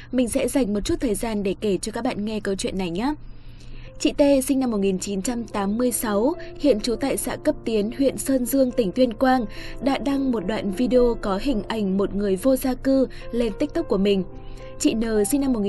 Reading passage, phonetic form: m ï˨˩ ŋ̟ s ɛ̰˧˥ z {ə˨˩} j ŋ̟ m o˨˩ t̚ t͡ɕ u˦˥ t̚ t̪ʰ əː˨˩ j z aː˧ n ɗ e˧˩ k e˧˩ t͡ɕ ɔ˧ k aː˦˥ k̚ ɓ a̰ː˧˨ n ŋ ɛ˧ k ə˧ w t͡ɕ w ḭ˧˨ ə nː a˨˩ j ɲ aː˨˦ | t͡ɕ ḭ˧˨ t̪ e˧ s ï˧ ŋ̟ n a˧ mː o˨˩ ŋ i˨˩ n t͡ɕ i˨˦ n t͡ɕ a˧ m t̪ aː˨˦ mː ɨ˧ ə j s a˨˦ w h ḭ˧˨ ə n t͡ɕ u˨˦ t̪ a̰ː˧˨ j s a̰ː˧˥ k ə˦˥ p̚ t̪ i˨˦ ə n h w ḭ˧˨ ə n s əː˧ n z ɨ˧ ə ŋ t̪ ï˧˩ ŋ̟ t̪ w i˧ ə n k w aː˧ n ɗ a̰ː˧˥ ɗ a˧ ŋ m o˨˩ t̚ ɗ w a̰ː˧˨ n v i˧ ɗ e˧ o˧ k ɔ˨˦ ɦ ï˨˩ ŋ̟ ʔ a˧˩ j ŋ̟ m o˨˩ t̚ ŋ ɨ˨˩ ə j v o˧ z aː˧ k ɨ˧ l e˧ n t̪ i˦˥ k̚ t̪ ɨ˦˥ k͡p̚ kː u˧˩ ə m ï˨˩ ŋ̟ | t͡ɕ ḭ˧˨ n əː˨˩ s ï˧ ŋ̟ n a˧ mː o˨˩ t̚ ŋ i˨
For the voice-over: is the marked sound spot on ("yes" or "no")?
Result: no